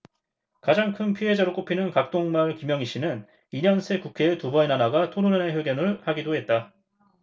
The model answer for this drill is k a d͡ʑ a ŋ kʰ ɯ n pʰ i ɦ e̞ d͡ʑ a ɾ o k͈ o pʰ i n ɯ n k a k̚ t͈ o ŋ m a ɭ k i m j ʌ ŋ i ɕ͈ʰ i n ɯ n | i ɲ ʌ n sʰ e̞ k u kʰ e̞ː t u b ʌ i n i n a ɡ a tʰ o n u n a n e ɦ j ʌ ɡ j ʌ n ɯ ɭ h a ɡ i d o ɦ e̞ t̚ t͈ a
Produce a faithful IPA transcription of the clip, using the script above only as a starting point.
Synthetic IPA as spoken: k a d͡ʑ a ŋ kʰ ɯ n pʰ i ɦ e̞ d͡ʑ a ɾ o k͈ o pʰ i n ɯ n k a k̚ t͈ o ŋ m a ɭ k i m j ʌ ŋ i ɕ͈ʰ i n ɯ n | i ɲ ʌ n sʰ e̞ k u kʰ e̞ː t u b ʌ i n a n a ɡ a tʰ o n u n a n e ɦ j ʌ ɡ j ʌ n ɯ ɭ h a ɡ i d o ɦ e̞ t̚ t͈ a